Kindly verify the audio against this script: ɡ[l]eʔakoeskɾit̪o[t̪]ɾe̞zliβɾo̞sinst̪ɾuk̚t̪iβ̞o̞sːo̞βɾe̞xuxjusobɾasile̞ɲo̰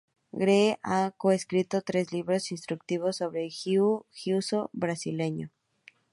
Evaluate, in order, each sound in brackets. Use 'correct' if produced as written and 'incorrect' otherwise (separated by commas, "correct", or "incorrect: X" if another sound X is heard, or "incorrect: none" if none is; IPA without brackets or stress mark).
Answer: incorrect: ɾ, correct